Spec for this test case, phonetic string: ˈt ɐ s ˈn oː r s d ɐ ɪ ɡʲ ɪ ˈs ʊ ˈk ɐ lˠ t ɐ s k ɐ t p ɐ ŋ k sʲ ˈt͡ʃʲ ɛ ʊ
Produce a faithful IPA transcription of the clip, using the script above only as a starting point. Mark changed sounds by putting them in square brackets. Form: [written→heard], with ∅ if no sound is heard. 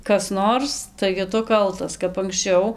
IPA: [ˈt→ˈk] ɐ s ˈn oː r s [d→t] ɐ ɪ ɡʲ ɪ [ˈs→ˈt] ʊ ˈk ɐ lˠ t ɐ s k ɐ [t→∅] p ɐ ŋ k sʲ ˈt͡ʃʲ ɛ ʊ